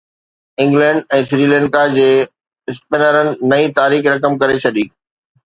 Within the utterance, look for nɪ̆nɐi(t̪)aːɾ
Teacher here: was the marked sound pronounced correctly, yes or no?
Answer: yes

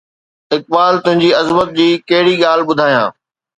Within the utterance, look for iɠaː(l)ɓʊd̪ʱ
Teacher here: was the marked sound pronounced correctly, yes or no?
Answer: yes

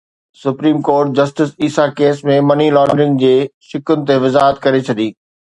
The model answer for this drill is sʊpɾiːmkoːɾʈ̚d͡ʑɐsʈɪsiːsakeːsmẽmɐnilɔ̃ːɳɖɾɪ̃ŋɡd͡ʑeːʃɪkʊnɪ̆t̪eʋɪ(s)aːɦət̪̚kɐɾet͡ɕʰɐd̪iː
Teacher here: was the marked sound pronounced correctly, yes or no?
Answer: no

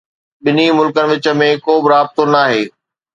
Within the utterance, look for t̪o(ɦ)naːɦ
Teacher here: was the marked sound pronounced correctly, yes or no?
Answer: no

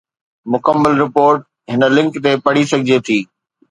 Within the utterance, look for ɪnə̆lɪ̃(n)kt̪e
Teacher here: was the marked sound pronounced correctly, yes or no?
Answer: no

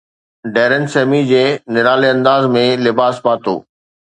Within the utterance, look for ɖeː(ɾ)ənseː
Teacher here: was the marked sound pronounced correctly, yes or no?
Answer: yes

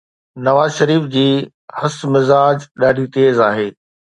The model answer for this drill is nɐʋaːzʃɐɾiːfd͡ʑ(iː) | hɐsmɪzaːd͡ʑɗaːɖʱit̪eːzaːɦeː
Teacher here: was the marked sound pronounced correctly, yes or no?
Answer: yes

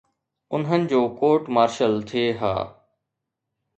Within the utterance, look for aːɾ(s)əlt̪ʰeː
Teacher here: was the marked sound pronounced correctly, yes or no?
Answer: no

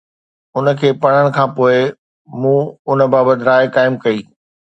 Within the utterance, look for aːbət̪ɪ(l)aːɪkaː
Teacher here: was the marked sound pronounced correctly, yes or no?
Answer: no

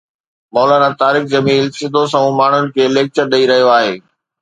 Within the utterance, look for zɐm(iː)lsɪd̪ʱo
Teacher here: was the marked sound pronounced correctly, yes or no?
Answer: yes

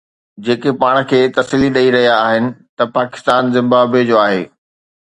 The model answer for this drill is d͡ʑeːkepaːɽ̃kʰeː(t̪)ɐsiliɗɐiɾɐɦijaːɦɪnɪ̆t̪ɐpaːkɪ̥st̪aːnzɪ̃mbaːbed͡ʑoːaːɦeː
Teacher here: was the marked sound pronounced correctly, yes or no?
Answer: yes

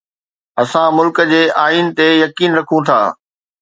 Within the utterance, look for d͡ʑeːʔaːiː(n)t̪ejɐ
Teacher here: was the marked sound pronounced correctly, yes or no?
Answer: yes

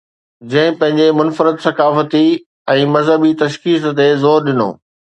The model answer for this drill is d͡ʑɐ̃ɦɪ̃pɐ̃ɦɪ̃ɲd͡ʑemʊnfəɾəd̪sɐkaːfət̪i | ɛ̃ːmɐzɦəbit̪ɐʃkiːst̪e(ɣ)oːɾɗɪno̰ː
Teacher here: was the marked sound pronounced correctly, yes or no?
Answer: no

